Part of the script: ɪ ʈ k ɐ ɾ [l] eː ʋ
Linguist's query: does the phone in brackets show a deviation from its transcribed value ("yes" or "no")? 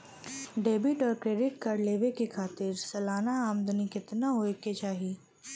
no